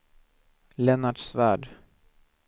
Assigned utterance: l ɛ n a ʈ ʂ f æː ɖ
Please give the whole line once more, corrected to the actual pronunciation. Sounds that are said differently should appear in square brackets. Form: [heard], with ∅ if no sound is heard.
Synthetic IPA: l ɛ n a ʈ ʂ [v] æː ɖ